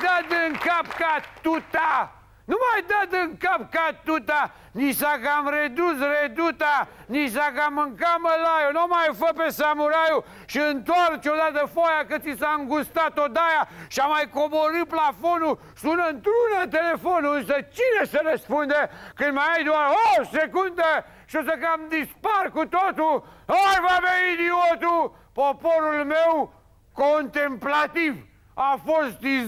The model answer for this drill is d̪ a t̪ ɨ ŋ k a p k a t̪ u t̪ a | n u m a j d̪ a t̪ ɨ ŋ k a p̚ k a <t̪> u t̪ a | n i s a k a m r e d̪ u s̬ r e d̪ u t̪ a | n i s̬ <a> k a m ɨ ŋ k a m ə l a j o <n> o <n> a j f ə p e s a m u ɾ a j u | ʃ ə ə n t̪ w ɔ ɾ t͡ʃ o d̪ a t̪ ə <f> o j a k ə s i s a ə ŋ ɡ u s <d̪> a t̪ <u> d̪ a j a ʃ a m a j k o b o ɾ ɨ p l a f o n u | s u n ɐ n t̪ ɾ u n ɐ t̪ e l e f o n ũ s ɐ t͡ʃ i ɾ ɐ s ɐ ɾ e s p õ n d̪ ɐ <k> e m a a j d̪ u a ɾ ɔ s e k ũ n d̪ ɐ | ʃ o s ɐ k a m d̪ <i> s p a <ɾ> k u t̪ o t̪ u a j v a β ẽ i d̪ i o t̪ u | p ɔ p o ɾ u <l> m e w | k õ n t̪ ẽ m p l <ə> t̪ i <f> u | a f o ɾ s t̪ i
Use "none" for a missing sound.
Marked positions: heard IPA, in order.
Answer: t̪, a, n, m, f, t̪, o, k, i, ɾ, l, a, v

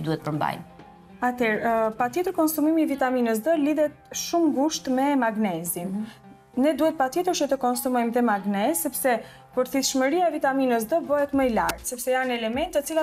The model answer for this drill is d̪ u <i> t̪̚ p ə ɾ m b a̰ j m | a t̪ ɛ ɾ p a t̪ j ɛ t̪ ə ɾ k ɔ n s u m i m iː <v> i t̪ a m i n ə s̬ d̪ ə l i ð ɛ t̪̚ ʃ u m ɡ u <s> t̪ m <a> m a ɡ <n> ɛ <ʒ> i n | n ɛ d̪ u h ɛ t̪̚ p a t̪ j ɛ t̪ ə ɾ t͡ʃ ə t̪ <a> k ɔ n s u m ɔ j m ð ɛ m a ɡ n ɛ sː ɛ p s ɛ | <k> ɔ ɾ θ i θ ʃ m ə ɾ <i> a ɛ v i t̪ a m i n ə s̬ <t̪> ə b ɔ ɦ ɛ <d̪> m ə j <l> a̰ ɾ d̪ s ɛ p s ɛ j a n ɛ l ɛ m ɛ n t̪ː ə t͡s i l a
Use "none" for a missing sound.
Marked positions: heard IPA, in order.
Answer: ɛ, v, ʃ, ɛ, n, z, ə, p, i, d̪, t̪, l

